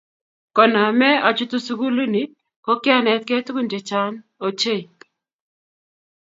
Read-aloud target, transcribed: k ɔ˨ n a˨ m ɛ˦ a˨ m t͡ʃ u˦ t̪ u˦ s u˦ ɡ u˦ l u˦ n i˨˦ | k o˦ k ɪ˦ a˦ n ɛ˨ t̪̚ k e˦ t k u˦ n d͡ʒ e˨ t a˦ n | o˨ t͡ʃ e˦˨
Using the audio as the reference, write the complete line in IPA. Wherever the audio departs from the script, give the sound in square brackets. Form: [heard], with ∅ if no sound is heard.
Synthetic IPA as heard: k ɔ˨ n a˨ m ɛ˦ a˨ [∅] t͡ʃ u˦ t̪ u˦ s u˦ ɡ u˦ l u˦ n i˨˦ | k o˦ k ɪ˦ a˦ n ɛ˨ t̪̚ k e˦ t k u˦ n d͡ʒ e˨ [t͡ʃ] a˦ n | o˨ t͡ʃ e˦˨